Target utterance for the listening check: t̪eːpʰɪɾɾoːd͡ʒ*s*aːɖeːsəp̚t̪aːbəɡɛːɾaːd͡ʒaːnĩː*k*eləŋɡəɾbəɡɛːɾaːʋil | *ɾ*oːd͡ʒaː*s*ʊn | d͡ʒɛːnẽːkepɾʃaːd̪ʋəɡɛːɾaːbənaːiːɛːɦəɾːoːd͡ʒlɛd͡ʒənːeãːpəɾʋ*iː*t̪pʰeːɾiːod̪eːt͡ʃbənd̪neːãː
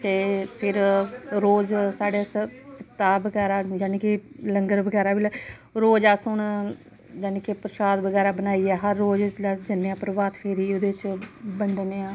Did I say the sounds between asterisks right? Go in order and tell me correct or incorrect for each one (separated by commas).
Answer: correct, correct, correct, correct, incorrect